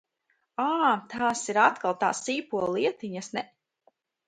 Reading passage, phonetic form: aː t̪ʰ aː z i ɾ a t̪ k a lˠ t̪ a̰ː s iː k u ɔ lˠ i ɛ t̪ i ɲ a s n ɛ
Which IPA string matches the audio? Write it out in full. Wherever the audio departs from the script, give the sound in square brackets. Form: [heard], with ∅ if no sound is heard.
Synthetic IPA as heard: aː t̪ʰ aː [s] i ɾ a t̪ k a lˠ t̪ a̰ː s iː [p] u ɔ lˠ i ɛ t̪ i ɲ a s n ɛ